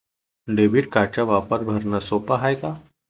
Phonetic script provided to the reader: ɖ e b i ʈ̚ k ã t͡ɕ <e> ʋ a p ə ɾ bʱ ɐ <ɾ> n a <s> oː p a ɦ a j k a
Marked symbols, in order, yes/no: no, yes, yes

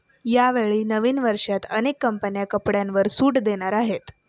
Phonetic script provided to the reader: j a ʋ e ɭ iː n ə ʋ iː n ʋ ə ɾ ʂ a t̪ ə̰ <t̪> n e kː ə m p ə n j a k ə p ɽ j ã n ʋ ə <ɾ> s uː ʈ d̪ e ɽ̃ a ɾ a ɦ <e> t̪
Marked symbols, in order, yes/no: no, yes, yes

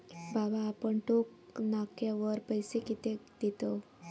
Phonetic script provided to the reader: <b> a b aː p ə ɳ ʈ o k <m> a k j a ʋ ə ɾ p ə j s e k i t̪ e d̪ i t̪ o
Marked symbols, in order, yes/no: yes, no

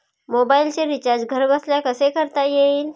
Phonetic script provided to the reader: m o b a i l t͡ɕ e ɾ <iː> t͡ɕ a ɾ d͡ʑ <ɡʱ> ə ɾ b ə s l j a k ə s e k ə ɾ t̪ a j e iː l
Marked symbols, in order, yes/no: no, yes

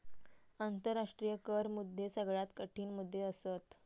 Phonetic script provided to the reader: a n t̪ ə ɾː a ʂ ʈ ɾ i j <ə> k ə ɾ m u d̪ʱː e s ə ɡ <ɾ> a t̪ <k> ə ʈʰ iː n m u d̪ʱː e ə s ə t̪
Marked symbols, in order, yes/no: yes, no, yes

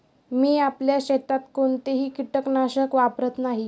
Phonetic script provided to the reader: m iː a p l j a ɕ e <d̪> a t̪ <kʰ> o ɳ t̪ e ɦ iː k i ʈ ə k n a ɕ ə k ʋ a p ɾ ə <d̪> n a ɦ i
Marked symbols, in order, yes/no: no, no, no

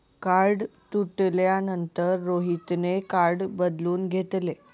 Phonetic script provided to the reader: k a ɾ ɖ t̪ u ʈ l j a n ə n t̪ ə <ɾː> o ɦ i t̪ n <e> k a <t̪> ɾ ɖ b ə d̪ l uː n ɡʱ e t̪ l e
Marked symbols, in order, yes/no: yes, yes, no

